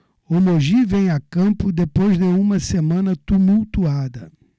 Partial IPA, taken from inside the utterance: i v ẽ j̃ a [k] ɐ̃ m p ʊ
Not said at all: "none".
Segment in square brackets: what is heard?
k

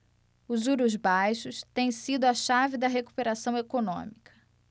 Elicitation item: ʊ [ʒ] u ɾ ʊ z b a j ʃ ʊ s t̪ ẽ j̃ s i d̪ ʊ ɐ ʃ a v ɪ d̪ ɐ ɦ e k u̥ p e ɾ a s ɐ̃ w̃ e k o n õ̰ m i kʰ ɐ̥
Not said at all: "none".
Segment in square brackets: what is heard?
z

